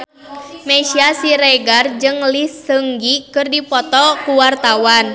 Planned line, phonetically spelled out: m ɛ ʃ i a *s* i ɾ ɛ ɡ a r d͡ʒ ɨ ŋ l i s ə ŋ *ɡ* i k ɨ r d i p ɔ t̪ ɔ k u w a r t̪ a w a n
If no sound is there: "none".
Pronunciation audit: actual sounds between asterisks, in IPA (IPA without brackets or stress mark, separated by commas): s, ɡ